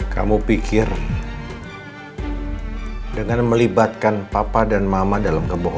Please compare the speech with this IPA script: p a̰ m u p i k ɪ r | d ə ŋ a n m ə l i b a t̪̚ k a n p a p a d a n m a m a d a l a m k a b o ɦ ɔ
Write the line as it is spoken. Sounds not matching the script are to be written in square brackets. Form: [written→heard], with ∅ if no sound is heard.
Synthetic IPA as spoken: [p→k] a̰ m u p i k ɪ r | d ə ŋ a n m ə l i b a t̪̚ k a n p a p a d a n m a m a d a l a m k [a→ə] b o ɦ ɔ